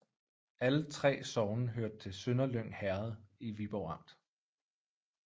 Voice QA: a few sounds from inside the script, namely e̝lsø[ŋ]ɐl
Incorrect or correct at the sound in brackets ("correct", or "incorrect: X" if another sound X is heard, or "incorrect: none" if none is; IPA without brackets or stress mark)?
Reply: incorrect: n